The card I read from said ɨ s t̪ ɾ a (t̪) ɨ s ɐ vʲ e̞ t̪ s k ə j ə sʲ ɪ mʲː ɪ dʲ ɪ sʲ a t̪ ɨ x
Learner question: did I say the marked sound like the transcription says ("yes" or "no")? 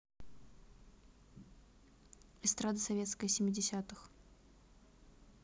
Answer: no